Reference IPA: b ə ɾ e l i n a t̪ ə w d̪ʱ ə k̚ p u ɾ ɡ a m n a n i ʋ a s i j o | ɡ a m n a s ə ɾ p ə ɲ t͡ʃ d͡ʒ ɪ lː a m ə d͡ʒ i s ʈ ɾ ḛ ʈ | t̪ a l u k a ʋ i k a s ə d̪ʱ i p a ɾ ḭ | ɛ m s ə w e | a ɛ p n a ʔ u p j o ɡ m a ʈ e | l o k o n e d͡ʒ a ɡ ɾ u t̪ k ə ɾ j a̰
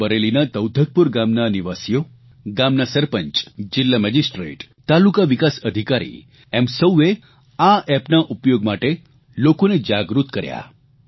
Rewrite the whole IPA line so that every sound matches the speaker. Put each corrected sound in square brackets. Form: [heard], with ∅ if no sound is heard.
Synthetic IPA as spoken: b ə ɾ e l i n a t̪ ə w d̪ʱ ə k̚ p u ɾ ɡ a m n a n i ʋ a s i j o | ɡ a m n a s ə ɾ p ə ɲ t͡ʃ d͡ʒ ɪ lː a m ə d͡ʒ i s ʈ ɾ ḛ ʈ | t̪ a l u k a ʋ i k a s ə d̪ʱ i [k] a ɾ ḭ | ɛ m s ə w e | a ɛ p n a ʔ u p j o ɡ m a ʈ e | l o k o n e d͡ʒ a ɡ ɾ u t̪ k ə ɾ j a̰